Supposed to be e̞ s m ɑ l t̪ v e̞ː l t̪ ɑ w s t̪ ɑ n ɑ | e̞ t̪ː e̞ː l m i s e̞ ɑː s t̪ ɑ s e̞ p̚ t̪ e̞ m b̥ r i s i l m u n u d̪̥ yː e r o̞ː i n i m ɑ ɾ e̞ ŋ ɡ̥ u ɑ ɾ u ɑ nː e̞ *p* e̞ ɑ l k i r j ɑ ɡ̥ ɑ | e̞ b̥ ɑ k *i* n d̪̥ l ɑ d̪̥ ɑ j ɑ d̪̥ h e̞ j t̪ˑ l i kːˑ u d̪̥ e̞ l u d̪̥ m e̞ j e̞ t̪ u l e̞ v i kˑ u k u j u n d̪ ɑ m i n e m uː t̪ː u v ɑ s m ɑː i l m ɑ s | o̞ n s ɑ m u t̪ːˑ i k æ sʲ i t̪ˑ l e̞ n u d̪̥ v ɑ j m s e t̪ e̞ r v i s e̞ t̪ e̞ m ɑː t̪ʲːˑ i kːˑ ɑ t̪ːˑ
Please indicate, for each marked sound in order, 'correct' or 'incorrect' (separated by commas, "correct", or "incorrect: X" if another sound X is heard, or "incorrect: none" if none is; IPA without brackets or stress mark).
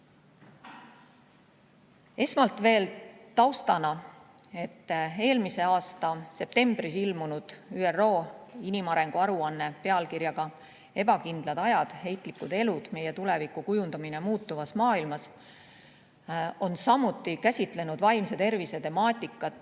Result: correct, correct